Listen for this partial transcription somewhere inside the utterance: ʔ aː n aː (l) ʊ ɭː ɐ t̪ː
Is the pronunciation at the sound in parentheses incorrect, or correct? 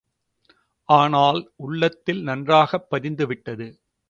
correct